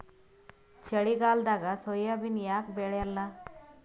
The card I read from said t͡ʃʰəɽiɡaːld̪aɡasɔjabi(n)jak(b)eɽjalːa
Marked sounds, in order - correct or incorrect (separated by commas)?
correct, correct